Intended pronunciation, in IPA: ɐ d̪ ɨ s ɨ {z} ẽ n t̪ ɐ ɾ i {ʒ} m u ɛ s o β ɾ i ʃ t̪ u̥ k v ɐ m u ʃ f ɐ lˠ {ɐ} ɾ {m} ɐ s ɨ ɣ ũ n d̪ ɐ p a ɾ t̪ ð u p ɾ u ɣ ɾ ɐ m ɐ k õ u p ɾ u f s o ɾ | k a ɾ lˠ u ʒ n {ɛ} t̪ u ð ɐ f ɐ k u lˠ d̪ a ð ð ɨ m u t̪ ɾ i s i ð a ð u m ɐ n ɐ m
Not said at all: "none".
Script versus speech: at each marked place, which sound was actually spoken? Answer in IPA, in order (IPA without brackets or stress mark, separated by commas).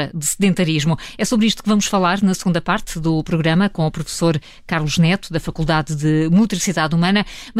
ð, ʒ, a, n, ɛ